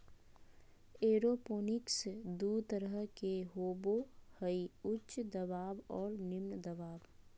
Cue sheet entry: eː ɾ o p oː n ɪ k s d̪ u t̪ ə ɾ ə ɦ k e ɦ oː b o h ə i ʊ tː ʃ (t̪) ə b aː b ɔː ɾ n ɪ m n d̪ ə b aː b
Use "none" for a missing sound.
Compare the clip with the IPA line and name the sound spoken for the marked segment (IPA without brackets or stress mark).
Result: d̪